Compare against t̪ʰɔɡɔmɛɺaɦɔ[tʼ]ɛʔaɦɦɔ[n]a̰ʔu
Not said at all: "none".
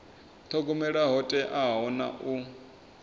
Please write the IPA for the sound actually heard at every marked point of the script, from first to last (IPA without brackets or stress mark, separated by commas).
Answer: tʼ, n